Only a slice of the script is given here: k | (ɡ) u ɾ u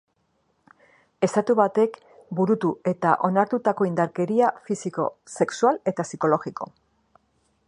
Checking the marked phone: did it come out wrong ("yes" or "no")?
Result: yes